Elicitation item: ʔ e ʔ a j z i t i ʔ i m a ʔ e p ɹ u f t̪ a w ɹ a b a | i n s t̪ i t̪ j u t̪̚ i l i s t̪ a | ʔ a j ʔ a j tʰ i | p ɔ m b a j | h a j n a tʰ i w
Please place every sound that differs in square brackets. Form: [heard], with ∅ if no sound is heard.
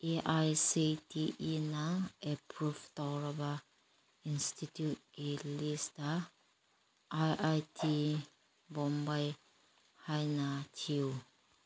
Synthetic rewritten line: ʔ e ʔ a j [s] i t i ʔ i [n] a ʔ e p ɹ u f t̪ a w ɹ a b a | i n s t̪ i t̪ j u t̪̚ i l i s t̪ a | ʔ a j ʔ a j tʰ i | [b] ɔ m b a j | h a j n a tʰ i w